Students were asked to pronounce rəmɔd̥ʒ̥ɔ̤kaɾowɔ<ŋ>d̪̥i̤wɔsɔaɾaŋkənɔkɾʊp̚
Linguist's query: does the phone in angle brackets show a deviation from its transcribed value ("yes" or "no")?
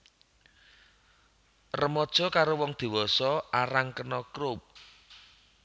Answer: no